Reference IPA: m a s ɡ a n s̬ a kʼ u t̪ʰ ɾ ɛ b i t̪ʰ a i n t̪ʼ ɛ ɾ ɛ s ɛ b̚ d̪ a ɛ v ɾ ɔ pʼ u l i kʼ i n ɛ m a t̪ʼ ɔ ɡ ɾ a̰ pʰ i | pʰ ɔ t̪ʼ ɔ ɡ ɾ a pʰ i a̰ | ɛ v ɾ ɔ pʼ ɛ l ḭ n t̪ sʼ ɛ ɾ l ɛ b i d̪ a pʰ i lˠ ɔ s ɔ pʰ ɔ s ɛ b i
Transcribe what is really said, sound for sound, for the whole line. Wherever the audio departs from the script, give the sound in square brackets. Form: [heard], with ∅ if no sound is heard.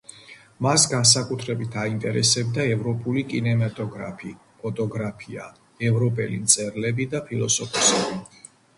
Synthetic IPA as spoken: m a s ɡ a n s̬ a kʼ u t̪ʰ ɾ ɛ b i t̪ʰ a i n t̪ʼ ɛ ɾ ɛ s ɛ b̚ d̪ a ɛ v ɾ ɔ pʼ u l i kʼ i n ɛ m a t̪ʼ ɔ ɡ ɾ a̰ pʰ i | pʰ ɔ t̪ʼ ɔ ɡ ɾ a pʰ i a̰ | ɛ v ɾ ɔ pʼ ɛ l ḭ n t̪ sʼ ɛ ɾ l ɛ b i d̪ a pʰ i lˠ ɔ s ɔ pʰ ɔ s ɛ b i

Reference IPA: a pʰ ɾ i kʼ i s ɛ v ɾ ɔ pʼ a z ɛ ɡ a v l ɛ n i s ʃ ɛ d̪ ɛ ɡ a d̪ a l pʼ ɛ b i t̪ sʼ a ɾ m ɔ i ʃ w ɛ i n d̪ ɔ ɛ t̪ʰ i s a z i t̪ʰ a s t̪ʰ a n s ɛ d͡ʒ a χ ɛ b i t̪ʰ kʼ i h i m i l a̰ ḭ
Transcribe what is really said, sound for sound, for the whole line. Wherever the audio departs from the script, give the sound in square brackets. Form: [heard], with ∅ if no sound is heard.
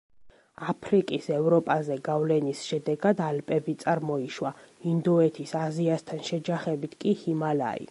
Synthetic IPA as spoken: a pʰ ɾ i kʼ i s ɛ v ɾ ɔ pʼ a z ɛ ɡ a v l ɛ n i s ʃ ɛ d̪ ɛ ɡ a d̪ a l pʼ ɛ b i t̪ sʼ a ɾ m ɔ i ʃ w [a] i n d̪ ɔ ɛ t̪ʰ i s a z i [∅] a s t̪ʰ a n [ʃ] ɛ d͡ʒ a χ ɛ b i t̪ʰ kʼ i h i m [a] l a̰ ḭ

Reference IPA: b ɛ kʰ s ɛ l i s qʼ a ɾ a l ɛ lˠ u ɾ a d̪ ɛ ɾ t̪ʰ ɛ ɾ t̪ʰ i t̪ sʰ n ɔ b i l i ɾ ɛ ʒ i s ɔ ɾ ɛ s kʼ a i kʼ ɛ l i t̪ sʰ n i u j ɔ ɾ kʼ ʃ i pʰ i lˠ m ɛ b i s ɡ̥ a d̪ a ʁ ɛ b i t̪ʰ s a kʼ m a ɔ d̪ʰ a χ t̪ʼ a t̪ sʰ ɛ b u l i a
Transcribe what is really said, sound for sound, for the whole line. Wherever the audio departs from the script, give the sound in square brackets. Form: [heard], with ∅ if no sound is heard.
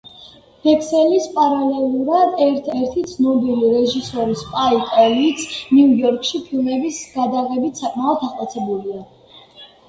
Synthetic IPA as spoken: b ɛ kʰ s ɛ l i s [pʼ] a ɾ a l ɛ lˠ u ɾ a d̪ ɛ ɾ t̪ʰ ɛ ɾ t̪ʰ i t̪ sʰ n ɔ b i l i ɾ ɛ ʒ i s ɔ ɾ [i] s [pʼ] a i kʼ ɛ l i t̪ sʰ n i u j ɔ ɾ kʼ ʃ i pʰ i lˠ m ɛ b i s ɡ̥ a d̪ a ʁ ɛ b i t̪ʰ s a kʼ m a ɔ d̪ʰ a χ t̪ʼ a t̪ sʰ ɛ b u l i a

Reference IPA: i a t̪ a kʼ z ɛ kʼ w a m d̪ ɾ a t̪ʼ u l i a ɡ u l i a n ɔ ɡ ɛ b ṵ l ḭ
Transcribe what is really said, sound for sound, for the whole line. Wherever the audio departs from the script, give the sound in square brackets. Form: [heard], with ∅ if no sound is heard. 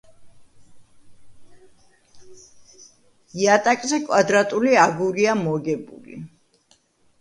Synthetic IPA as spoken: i a [t̪ʼ] a kʼ z ɛ kʼ w a [∅] d̪ ɾ a t̪ʼ u l i a ɡ u [ɾ] i a [m] ɔ ɡ ɛ b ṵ l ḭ

